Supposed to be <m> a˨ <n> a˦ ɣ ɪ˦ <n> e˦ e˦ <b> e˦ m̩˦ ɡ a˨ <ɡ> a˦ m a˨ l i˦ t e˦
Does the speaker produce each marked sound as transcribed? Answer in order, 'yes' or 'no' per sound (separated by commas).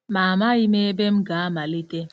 yes, no, no, yes, no